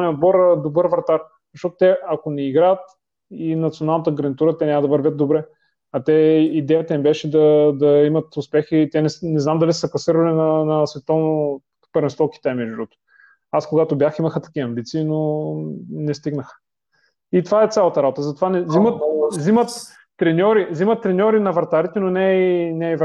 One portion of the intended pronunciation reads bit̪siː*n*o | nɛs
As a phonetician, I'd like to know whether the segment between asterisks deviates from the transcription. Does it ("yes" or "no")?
no